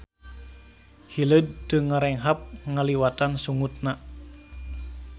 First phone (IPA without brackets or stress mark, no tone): h